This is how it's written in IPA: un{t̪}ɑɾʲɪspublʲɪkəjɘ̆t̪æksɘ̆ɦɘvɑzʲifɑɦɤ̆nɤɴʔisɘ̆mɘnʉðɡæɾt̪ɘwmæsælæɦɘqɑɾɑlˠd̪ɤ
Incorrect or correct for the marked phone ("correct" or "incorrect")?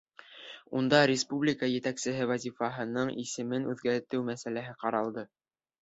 incorrect